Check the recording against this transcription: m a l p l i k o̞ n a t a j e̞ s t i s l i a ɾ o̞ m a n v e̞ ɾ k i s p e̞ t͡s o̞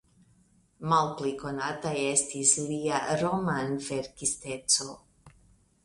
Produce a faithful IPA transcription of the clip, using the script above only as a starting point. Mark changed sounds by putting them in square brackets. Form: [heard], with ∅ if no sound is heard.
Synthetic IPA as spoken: m a l p l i k o̞ n a t a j e̞ s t i s l i a ɾ o̞ m a n v e̞ ɾ k i s [t] e̞ t͡s o̞